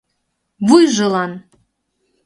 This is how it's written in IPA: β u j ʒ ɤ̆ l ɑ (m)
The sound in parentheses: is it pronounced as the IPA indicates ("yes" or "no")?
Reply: no